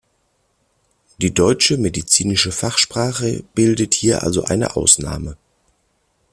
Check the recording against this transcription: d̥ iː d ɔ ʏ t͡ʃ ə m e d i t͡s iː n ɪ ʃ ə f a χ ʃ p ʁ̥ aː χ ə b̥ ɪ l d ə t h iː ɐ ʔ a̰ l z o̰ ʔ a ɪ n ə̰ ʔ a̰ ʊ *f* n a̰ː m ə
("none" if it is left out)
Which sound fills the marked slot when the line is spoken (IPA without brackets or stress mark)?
s